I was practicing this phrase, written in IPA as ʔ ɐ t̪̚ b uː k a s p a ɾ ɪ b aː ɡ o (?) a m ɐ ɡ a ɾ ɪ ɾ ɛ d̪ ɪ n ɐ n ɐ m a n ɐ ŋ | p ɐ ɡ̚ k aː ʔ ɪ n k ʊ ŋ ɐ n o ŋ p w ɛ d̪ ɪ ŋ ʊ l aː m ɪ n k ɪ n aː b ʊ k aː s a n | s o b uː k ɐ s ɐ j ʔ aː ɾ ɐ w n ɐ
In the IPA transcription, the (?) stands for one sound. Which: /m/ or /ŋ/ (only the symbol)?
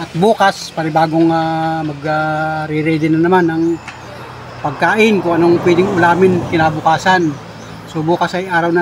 ŋ